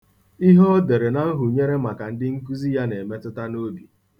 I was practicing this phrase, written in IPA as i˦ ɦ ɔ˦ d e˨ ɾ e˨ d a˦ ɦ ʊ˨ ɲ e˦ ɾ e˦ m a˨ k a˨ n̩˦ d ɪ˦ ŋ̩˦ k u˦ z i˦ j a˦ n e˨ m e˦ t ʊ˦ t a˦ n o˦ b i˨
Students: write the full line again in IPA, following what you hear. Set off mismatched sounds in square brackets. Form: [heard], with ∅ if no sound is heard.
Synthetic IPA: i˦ ɦ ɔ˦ d e˨ ɾ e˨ [n] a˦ ɦ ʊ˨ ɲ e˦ ɾ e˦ m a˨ k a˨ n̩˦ d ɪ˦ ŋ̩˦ k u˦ z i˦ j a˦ n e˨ m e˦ t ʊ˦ t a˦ n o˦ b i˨